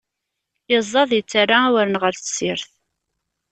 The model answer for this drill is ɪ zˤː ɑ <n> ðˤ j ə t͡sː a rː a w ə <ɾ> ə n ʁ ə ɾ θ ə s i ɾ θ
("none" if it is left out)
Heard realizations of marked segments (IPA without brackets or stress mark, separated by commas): none, ɾ